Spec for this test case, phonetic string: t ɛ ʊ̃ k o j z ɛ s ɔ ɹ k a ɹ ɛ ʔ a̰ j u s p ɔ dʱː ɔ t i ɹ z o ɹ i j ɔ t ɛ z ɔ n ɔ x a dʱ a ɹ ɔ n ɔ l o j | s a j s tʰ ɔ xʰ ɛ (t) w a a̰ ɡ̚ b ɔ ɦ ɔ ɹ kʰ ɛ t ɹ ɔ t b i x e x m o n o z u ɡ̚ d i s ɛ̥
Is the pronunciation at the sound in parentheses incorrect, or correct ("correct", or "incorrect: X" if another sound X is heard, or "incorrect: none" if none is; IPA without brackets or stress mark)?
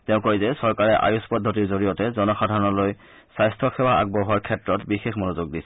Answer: incorrect: none